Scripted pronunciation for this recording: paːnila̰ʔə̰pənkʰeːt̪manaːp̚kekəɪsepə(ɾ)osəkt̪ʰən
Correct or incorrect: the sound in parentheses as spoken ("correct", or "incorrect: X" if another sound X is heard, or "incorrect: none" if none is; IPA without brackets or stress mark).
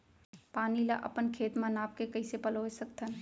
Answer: incorrect: l